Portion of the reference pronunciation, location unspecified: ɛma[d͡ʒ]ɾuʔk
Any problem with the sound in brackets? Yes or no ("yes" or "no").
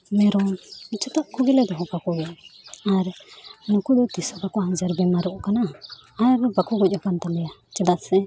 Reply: yes